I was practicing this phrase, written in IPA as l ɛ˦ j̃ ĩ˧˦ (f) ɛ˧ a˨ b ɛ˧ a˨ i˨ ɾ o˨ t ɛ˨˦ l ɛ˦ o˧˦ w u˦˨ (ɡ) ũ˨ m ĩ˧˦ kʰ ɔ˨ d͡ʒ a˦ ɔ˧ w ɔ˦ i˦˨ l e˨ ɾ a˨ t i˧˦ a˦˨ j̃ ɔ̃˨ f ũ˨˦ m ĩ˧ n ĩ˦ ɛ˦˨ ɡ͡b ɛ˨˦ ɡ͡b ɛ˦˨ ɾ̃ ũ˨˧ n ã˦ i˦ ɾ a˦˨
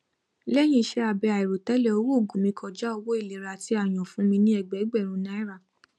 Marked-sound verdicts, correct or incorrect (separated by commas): incorrect, correct